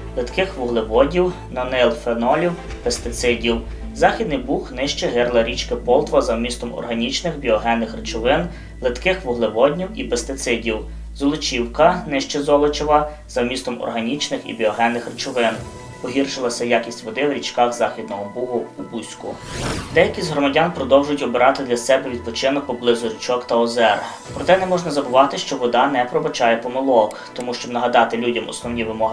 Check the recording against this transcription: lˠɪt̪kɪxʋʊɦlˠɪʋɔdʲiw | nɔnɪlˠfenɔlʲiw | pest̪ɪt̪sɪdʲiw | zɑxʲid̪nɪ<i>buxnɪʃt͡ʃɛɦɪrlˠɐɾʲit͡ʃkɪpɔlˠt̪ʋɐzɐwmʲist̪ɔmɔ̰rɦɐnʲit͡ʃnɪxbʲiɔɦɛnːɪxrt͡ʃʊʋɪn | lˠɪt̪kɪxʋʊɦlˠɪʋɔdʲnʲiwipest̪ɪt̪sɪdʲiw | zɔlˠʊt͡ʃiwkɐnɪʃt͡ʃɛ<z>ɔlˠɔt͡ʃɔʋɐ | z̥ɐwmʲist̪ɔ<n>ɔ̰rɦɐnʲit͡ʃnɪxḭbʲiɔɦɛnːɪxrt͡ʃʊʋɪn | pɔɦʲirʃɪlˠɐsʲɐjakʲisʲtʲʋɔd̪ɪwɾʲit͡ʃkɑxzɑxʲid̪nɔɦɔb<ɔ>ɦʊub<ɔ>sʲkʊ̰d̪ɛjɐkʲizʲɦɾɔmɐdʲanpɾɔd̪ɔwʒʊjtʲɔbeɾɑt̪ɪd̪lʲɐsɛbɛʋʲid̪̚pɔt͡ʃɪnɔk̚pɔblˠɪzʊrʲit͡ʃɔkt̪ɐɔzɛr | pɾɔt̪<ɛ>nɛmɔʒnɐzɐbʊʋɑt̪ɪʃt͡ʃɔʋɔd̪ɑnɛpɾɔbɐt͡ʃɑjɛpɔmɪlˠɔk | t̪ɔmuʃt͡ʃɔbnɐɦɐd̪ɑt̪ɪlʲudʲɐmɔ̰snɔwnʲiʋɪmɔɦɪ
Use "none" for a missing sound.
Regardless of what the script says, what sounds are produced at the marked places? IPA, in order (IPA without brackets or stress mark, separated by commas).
j, z, m, u, u, ɛ